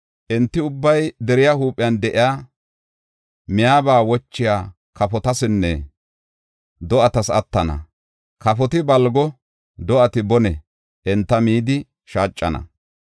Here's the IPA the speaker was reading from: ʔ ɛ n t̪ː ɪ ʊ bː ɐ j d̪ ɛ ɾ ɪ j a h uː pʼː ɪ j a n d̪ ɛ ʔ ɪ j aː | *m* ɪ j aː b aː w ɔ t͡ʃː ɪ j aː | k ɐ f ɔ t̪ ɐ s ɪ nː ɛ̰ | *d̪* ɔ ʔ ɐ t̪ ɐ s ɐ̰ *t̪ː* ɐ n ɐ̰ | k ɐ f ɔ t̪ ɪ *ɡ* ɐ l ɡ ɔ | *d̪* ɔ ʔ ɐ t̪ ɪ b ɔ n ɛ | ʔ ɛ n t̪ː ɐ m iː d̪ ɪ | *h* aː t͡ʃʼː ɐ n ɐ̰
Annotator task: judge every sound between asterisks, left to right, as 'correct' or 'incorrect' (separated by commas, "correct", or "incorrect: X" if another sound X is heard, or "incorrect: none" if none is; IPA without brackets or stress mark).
correct, correct, correct, incorrect: b, correct, incorrect: ʃ